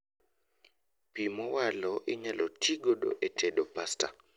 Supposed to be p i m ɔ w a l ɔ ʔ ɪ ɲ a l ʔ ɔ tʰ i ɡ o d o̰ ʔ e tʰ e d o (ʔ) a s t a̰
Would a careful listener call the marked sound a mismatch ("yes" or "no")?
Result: yes